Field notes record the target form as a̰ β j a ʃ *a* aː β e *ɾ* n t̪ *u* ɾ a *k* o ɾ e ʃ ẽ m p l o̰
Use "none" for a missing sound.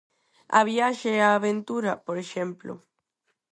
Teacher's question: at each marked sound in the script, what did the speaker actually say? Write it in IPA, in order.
e, none, u, p

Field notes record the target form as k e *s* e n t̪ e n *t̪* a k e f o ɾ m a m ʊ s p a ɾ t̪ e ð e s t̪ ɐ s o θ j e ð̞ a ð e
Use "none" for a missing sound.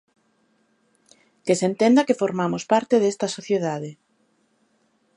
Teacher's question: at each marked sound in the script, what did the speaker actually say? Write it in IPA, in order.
s, d̪

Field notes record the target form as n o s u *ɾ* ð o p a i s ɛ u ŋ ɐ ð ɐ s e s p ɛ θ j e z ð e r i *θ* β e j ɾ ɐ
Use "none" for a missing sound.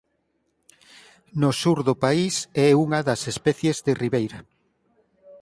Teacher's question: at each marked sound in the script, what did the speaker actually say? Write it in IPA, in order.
ɾ, none

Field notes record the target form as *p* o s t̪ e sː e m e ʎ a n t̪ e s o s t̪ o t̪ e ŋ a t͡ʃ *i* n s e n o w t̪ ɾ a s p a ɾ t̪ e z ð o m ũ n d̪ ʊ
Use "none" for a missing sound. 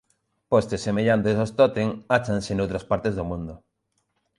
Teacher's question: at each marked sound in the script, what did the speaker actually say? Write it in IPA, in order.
p, a

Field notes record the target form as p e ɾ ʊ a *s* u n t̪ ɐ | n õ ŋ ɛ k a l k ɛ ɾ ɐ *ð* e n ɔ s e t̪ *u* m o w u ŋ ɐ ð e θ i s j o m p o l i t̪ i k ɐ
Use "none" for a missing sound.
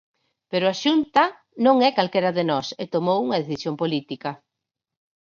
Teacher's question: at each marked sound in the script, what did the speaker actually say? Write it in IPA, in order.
ʃ, ð, o

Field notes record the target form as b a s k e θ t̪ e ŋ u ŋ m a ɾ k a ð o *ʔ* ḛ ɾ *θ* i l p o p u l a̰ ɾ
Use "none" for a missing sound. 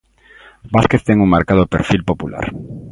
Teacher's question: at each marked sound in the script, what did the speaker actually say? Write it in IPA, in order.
p, f

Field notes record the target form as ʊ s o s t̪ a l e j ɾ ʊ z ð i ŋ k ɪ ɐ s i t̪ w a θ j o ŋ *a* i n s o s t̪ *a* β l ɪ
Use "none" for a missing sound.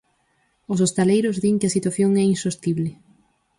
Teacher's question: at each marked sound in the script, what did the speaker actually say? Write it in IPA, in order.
ɛ, i

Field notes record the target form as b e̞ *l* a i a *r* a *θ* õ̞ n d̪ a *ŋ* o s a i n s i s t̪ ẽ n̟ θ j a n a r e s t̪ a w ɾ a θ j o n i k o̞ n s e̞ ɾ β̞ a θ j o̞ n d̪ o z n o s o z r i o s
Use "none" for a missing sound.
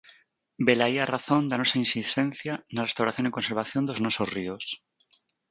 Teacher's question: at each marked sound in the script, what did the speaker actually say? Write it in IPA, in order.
l, r, θ, n

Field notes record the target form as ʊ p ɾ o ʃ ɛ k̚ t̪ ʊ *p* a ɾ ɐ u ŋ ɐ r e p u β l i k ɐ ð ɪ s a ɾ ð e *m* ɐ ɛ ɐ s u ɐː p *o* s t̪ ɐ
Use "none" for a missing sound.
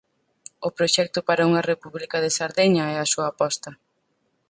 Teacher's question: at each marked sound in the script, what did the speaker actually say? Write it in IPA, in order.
p, ɲ, ɔ

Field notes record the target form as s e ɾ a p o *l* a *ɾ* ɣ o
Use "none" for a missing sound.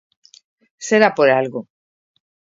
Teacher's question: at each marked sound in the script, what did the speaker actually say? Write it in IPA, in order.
ɾ, l

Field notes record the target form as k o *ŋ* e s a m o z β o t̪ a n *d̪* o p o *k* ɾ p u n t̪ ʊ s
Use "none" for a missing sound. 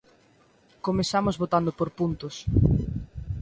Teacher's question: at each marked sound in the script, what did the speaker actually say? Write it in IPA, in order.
m, d̪, none

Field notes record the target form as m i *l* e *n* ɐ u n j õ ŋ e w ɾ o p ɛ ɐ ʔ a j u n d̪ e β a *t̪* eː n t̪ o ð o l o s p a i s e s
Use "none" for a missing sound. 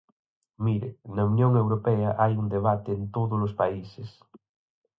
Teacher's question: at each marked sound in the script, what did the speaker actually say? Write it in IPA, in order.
ɾ, n, t̪

